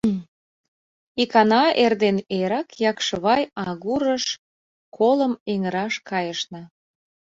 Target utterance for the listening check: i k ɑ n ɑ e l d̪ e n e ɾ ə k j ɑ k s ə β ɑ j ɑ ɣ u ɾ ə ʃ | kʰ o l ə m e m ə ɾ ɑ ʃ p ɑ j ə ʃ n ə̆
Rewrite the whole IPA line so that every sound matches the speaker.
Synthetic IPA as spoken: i k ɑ n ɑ e r d̪ e n e ɾ ɑ k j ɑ k ʃ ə β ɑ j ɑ ɣ u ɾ ə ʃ | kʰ o l ə m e ŋ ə ɾ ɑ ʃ k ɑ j ə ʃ n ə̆